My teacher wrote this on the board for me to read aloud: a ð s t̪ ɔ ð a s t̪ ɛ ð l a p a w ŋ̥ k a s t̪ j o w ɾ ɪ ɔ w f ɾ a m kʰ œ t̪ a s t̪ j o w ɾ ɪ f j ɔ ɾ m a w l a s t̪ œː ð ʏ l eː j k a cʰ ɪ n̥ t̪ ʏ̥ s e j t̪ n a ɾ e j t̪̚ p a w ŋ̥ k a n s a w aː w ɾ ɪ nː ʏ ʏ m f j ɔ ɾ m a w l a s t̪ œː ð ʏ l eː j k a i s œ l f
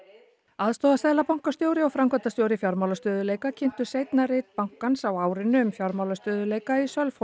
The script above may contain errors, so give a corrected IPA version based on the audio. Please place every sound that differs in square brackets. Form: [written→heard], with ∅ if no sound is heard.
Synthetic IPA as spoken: a ð s t̪ ɔ ð a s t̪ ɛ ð l a p a w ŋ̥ k a s t̪ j o w ɾ ɪ ɔ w f ɾ a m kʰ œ t̪ a s t̪ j o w ɾ ɪ f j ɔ ɾ m a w l a s t̪ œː ð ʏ l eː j k a cʰ ɪ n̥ t̪ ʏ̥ s e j t̪ n a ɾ e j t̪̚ p a w ŋ̥ k a n s a w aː w ɾ ɪ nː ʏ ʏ m f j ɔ ɾ m a w l a s t̪ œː ð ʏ l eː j k a i s œ l f